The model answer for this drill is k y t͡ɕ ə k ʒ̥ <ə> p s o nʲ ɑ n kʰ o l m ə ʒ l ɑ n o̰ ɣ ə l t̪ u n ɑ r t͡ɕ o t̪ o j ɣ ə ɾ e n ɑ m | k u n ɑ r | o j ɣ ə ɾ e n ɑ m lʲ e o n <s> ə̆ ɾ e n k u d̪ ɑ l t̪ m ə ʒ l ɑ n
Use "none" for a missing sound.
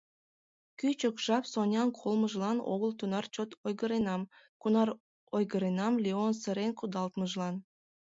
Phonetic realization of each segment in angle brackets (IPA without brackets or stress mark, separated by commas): ɑ, s